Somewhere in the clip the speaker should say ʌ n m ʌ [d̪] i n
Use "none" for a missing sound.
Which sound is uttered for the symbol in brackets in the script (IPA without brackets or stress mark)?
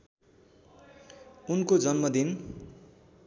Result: d̪